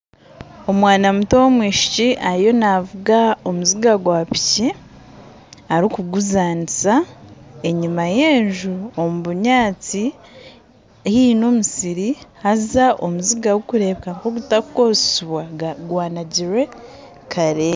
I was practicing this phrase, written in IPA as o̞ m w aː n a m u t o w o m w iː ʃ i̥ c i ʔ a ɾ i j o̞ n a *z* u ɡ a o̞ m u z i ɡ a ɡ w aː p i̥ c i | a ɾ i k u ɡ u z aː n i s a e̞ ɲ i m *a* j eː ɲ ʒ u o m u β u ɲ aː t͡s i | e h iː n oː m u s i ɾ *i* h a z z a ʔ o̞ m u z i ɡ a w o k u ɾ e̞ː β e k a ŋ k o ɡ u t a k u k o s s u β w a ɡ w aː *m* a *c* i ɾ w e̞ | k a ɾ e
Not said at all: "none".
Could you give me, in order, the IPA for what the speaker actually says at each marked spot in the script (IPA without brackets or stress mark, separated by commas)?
v, a, i, n, ɟ